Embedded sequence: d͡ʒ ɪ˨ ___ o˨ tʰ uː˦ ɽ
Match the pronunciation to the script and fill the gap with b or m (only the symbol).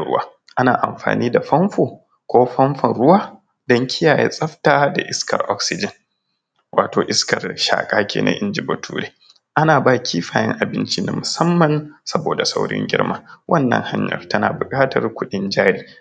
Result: b